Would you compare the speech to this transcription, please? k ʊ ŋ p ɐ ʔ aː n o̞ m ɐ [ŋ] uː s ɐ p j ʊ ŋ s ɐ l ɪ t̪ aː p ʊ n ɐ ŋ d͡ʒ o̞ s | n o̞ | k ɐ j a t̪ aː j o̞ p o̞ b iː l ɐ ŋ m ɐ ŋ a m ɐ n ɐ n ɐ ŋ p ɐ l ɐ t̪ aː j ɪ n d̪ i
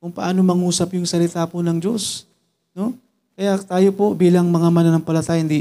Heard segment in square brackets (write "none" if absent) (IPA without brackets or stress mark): ŋ